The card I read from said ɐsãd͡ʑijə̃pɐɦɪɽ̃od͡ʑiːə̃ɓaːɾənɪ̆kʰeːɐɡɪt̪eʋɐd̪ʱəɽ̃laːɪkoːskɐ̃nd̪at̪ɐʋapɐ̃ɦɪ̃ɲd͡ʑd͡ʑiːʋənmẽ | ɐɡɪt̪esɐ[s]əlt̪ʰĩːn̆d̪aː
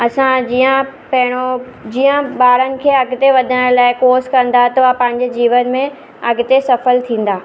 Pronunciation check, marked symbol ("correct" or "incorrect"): incorrect